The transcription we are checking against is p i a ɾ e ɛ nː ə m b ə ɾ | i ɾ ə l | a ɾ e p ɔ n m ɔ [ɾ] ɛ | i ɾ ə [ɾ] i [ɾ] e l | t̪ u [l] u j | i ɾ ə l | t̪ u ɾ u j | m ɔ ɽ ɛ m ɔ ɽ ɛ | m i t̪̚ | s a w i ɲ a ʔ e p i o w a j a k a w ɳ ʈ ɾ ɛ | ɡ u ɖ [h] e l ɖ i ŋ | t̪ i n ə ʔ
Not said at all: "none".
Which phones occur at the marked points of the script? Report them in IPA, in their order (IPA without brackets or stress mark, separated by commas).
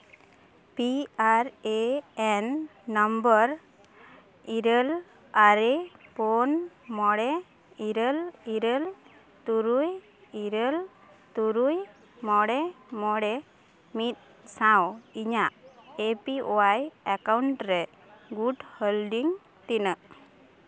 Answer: ɽ, l, ɾ, ɾ, h